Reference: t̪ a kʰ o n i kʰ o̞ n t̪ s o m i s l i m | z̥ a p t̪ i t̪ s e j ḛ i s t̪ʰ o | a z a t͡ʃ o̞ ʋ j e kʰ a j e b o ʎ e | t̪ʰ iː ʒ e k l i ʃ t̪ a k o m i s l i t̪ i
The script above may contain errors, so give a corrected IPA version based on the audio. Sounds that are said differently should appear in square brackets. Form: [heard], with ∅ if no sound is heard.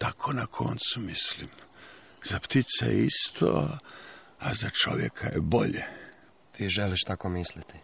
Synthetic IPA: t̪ a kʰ o n [a] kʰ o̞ n t̪ s [u] m i s l i m | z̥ a p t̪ i t̪ s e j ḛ i s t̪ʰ o | a z a t͡ʃ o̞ ʋ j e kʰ a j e b o ʎ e | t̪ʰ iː ʒ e [∅] l i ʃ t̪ a k o m i s l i t̪ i